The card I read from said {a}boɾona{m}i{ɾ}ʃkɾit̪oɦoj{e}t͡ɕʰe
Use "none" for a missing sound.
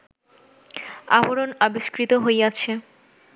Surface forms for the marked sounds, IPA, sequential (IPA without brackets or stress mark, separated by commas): a, b, none, a